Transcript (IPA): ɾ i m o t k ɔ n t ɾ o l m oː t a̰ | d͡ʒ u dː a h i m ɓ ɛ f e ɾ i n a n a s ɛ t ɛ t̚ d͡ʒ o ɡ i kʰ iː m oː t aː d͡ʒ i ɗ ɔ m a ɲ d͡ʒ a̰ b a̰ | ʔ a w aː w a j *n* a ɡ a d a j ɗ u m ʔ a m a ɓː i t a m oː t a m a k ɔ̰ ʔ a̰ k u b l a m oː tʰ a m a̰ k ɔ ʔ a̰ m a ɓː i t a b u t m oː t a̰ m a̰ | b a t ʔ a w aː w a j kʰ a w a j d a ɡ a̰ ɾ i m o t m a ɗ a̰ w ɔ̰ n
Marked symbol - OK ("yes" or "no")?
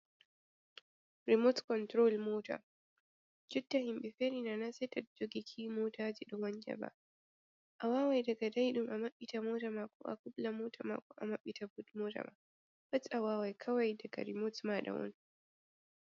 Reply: no